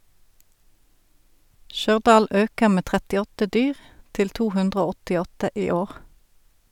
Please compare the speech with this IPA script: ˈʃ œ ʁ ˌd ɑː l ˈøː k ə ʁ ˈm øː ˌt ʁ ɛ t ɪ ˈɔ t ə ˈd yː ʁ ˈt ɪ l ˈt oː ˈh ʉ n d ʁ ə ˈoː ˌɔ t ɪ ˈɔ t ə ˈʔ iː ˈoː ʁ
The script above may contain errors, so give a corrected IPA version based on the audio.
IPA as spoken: ˈʃ œ ʁ ˌd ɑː l ˈøː k ə ʁ ˈm eː ˌt ʁ ɛ t ɪ ˈɔ t ə ˈd yː ʁ ˈt ɪ l ˈt uː ˈh ʉ n d ʁ ə ˈoː ˌɔ t ɪ ˈɔ t ə ˈʔ iː ˈoː ʁ